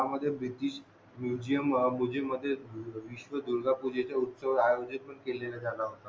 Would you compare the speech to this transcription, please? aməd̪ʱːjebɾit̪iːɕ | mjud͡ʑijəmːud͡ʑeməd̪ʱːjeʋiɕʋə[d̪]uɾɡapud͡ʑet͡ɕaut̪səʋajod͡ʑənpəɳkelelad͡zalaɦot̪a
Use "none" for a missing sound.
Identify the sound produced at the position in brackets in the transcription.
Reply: d̪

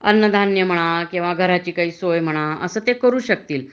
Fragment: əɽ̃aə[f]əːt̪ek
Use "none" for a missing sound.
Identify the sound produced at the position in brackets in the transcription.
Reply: s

